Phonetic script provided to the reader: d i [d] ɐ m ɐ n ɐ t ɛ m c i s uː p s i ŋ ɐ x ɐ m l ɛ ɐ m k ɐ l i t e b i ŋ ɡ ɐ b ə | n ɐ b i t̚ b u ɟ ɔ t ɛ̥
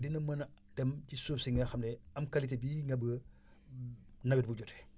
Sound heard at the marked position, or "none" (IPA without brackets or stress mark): n